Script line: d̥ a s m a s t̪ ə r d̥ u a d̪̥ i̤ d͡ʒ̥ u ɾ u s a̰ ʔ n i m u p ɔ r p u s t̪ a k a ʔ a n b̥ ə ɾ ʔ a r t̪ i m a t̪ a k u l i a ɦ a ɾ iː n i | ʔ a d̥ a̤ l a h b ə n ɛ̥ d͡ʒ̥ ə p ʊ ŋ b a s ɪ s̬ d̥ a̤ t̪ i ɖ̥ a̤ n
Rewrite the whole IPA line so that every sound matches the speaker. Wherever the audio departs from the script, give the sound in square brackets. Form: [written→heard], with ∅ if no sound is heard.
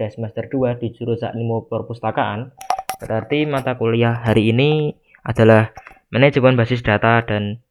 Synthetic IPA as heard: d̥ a s m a s t̪ ə r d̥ u a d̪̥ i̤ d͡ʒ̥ u ɾ u s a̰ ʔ n i m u p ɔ r p u s t̪ a k a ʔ a n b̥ ə ɾ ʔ a r t̪ i m a t̪ a k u l i a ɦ a ɾ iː n i | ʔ a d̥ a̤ l a h [b→m] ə n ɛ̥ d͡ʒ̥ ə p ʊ [ŋ→n] b a s ɪ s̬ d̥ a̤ t̪ [i→a] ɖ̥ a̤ n